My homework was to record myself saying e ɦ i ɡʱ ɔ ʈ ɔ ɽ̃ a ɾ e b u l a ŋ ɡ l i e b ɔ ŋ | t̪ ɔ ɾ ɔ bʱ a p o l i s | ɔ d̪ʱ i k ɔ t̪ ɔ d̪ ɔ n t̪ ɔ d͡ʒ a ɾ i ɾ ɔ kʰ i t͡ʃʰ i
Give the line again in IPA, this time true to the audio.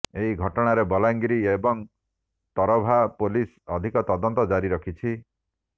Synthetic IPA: e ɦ i ɡʱ ɔ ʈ ɔ ɽ̃ a ɾ e b ɔ l a ŋ ɡ ɾ i e b ɔ ŋ | t̪ ɔ ɾ ɔ bʱ a p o l i s | ɔ d̪ʱ i k ɔ t̪ ɔ d̪ ɔ n t̪ ɔ d͡ʒ a ɾ i ɾ ɔ kʰ i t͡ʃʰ i